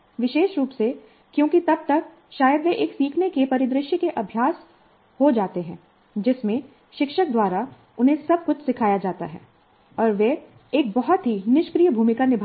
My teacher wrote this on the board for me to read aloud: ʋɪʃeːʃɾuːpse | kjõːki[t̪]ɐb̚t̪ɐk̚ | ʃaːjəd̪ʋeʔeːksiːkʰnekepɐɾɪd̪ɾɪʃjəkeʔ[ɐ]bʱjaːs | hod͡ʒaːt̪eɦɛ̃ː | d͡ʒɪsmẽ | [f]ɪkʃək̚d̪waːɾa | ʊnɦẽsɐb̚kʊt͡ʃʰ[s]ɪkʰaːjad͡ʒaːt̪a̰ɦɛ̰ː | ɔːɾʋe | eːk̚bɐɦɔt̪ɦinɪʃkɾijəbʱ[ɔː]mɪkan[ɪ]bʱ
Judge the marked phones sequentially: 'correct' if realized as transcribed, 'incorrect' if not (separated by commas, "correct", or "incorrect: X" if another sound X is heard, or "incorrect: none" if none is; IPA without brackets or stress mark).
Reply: correct, correct, incorrect: ʃ, correct, incorrect: uː, correct